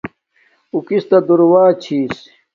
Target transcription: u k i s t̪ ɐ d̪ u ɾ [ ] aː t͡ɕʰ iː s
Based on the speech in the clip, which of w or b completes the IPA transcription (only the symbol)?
w